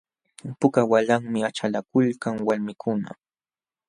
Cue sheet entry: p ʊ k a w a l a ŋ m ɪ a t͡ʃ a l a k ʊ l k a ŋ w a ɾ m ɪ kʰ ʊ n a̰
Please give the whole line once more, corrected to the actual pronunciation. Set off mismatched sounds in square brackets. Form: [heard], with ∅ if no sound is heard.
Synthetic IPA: p ʊ k a w a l a ŋ m ɪ a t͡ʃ a l a k ʊ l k a ŋ w a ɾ m ɪ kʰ ʊ n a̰